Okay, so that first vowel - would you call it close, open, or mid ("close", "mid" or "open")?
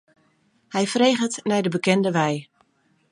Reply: mid